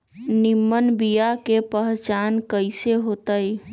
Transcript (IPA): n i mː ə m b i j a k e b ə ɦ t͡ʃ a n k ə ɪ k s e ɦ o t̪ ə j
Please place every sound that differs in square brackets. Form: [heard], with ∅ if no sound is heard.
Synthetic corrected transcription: n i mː ə [n] b i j a k e [p] ə ɦ t͡ʃ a n k ə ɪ [∅] s e ɦ o t̪ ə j